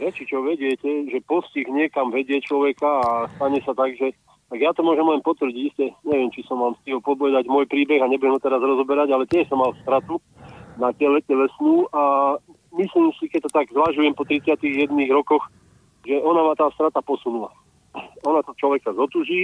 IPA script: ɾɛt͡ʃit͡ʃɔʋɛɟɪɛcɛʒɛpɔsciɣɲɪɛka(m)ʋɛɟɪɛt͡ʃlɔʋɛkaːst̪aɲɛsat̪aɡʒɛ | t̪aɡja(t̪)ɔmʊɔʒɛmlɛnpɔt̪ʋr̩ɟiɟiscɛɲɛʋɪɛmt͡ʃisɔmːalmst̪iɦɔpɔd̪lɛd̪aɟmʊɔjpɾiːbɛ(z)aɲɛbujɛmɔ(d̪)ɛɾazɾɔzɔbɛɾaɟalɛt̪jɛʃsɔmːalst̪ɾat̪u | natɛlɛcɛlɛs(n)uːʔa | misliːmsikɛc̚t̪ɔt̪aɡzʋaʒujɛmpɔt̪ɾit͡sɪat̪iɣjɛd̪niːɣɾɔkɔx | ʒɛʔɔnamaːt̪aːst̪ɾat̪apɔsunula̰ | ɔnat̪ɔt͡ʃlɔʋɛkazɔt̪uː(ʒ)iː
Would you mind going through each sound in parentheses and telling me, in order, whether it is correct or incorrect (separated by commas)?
correct, correct, incorrect, incorrect, correct, correct